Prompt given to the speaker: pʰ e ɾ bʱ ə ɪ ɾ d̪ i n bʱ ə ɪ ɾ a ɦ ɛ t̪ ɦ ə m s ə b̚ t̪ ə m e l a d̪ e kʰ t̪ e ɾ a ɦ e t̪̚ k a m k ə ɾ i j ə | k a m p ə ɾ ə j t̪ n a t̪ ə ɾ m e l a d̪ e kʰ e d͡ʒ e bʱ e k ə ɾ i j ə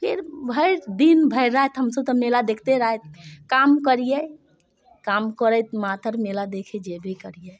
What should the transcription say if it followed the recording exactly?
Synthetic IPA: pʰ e ɾ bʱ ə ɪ ɾ d̪ i n bʱ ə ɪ ɾ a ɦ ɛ t̪ ɦ ə m s ə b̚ t̪ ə m e l a d̪ e kʰ t̪ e ɾ a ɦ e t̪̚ k a m k ə ɾ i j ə | k a m k ə ɾ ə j t̪ m a t̪ ə ɾ m e l a d̪ e kʰ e d͡ʒ e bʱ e k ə ɾ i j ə

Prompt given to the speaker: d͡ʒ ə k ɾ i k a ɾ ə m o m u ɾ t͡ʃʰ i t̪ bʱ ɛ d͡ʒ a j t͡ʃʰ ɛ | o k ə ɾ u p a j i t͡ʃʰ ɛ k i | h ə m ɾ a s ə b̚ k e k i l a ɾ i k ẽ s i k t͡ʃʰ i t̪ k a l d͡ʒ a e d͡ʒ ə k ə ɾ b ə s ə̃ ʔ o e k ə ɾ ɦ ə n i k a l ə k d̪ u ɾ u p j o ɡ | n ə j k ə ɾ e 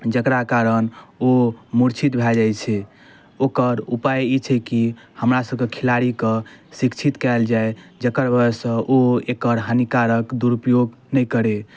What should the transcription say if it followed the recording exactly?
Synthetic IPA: d͡ʒ ə k ɾ a k a ɾ ə n o m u ɾ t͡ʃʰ i t̪ bʱ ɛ d͡ʒ a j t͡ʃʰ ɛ | o k ə ɾ u p a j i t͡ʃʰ ɛ k i | h ə m ɾ a s ə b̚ k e kʰ i l a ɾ i k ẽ s i k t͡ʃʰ i t̪ k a l d͡ʒ a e d͡ʒ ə k ə ɾ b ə s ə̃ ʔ o e k ə ɾ ɦ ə n i k a ɾ ə k d̪ u ɾ u p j o ɡ | n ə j k ə ɾ e

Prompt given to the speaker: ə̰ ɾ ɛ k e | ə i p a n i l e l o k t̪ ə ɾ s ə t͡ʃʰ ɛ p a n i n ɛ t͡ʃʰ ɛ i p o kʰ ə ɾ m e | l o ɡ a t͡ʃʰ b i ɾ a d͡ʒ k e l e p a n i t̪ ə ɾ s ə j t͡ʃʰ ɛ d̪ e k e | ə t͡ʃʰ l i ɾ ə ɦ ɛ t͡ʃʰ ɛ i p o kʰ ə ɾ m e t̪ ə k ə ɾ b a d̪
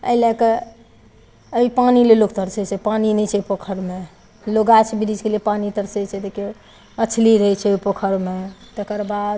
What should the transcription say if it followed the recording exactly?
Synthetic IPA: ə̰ l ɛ k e | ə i p a n i l e l o k t̪ ə ɾ s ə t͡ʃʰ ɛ p a n i n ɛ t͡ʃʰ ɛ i p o kʰ ə ɾ m e | l o ɡ a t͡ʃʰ b i ɾ i d͡ʒ k e l e p a n i t̪ ə ɾ s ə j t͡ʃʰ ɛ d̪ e k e | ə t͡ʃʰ l i ɾ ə ɦ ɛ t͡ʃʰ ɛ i p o kʰ ə ɾ m e t̪ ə k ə ɾ b a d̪

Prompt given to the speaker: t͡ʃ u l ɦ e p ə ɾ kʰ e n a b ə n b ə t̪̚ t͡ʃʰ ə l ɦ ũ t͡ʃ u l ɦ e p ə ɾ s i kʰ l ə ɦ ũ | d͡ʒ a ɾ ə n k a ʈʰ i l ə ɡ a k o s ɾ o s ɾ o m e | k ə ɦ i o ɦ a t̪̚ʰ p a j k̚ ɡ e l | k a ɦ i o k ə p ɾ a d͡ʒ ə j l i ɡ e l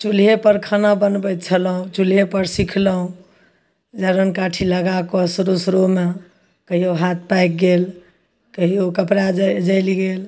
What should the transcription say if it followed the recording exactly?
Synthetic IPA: t͡ʃ u l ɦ e p ə ɾ kʰ a n a b ə n b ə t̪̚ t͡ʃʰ ə l ɦ ũ t͡ʃ u l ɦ e p ə ɾ s i kʰ l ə ɦ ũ | d͡ʒ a ɾ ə n k a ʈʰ i l ə ɡ a k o s ɾ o s ɾ o m e | k ə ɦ i o ɦ a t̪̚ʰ p a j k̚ ɡ e l | k ə ɦ i o k ə p ɾ a d͡ʒ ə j l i ɡ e l

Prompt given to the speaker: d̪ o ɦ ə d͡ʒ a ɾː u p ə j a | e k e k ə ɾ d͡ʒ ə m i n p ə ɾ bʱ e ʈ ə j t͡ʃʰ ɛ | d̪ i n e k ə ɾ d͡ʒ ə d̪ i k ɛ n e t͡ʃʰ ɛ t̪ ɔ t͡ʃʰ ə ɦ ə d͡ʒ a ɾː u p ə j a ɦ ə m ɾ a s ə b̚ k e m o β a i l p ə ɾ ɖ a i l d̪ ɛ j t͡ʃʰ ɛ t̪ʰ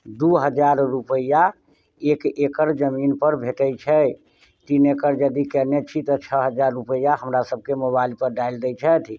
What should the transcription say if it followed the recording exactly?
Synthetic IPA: d̪ u ɦ ə d͡ʒ a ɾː u p ə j a | e k e k ə ɾ d͡ʒ ə m i n p ə ɾ bʱ e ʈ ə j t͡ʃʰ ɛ | t̪ i n e k ə ɾ d͡ʒ ə d̪ i k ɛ n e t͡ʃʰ i t̪ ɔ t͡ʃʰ ə ɦ ə d͡ʒ a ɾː u p ə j a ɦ ə m ɾ a s ə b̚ k e m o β a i l p ə ɾ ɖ a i l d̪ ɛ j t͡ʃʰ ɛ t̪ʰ

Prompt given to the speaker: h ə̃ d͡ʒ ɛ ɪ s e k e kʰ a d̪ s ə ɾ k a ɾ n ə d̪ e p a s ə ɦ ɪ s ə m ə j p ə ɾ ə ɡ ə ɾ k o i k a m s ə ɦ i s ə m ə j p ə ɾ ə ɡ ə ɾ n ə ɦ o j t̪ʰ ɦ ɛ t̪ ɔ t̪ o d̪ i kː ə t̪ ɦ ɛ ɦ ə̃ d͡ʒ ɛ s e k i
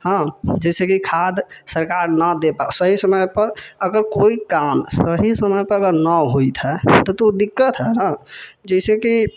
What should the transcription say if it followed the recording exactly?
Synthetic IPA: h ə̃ d͡ʒ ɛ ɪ s e k i kʰ a d̪ s ə ɾ k a ɾ n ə d̪ e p a s ə ɦ i s ə m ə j p ə ɾ ə ɡ ə ɾ k o i k a m s ə ɦ i s ə m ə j p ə ɾ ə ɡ ə ɾ n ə ɦ o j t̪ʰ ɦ ɛ t̪ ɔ t̪ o d̪ i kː ə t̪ ɦ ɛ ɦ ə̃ d͡ʒ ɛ s e k i

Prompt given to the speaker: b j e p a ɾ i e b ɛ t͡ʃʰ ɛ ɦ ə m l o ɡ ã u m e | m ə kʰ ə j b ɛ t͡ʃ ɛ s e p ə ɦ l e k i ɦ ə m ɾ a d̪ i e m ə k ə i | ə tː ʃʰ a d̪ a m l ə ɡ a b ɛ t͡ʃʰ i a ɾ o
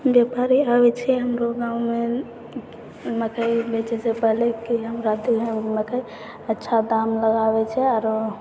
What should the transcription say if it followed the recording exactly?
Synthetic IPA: b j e p a ɾ i a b ɛ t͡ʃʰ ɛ ɦ ə m ɾ o ɡ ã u m e | m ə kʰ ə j b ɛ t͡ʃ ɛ s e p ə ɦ l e k i ɦ ə m ɾ a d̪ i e m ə k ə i | ə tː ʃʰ a d̪ a m l ə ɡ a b ɛ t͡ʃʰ ɛ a ɾ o

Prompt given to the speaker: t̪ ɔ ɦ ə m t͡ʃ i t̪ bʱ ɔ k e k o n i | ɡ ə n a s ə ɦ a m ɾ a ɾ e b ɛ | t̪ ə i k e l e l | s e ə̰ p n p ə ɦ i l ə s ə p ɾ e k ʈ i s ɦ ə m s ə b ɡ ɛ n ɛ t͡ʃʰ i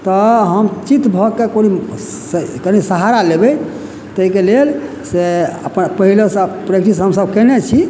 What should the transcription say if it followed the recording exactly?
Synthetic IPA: t̪ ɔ ɦ ə m t͡ʃ i t̪ bʱ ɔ k e k o n i | k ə n i s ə ɦ a ɾ a l e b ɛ | t̪ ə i k e l e l | s e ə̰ p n p ə ɦ i l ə s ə p ɾ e k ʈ i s ɦ ə m s ə b k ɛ n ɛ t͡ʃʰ i

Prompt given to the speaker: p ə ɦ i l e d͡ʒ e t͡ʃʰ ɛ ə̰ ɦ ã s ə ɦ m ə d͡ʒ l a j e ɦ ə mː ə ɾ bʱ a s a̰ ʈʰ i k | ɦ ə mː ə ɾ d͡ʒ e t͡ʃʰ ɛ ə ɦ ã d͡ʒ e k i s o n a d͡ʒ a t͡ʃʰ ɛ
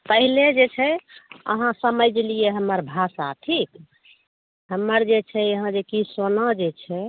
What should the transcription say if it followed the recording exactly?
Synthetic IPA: p ə ɦ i l e d͡ʒ e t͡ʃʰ ɛ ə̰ ɦ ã s ə m ə d͡ʒ l i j e ɦ ə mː ə ɾ bʱ a s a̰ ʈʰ i k | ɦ ə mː ə ɾ d͡ʒ e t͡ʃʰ ɛ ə ɦ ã d͡ʒ e k i s o n a d͡ʒ e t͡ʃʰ ɛ

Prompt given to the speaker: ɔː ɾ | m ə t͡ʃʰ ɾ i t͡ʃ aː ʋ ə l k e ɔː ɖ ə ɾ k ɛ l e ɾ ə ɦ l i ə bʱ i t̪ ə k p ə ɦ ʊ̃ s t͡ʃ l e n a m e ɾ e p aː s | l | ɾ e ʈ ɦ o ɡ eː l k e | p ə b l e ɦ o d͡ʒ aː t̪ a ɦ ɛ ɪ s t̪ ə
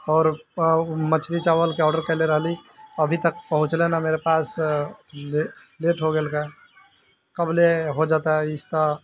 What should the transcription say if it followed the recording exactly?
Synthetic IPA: ɔː ɾ | m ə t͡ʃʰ ɾ i t͡ʃ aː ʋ ə l k e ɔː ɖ ə ɾ k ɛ l e ɾ ə ɦ l i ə bʱ i t̪ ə k p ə ɦ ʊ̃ t͡ʃ l e n a m e ɾ e p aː s | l | l e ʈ ɦ o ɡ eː l k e | k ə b l e ɦ o d͡ʒ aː t̪ a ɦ ɛ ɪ s t̪ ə

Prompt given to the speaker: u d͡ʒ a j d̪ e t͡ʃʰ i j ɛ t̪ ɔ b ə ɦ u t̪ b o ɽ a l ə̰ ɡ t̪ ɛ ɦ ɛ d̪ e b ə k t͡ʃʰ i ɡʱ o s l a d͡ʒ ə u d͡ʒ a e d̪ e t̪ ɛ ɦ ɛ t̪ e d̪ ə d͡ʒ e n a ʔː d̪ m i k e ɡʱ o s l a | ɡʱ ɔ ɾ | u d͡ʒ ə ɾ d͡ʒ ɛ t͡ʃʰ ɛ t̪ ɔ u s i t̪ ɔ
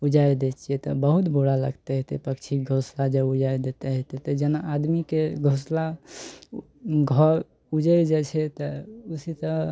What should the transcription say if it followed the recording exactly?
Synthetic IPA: u d͡ʒ a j d̪ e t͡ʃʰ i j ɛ t̪ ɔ b ə ɦ u t̪ b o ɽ a l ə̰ ɡ t̪ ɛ ɦ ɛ t̪ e p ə k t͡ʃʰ i ɡʱ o s l a d͡ʒ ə u d͡ʒ a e d̪ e t̪ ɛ ɦ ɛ t̪ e t̪ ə d͡ʒ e n a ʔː d̪ m i k e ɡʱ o s l a | ɡʱ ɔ ɾ | u d͡ʒ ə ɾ d͡ʒ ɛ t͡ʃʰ ɛ t̪ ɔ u s i t̪ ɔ

